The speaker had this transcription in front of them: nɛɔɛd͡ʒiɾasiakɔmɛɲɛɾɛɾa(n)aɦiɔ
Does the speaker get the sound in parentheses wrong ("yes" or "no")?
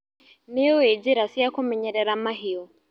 yes